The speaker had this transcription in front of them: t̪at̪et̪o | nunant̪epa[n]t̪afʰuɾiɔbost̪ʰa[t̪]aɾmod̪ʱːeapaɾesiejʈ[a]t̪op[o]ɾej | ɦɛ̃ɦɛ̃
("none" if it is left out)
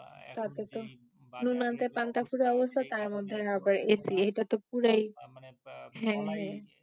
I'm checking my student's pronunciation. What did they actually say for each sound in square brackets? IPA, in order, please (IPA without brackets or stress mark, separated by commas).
n, t̪, a, u